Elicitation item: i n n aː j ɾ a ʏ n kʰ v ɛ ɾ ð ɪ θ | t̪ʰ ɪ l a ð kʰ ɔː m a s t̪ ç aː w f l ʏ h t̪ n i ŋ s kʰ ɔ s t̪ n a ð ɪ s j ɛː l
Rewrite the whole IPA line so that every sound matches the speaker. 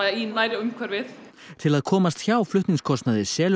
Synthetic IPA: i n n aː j ɾ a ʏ m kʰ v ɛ ɾ v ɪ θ | t̪ʰ ɪ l a ð kʰ ɔː m a s t̪ ç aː w f l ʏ h t̪ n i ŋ s kʰ ɔ s t̪ n a ð ɪ s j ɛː l